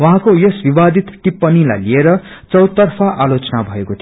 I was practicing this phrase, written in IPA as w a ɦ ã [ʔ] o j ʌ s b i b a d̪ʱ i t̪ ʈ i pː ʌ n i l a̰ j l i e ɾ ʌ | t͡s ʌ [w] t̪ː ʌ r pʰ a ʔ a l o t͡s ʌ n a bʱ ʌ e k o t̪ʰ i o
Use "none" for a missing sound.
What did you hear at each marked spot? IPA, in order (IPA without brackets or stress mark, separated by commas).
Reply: k, w